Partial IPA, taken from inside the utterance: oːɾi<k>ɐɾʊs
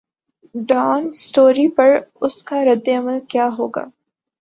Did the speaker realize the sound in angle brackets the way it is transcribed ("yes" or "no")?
no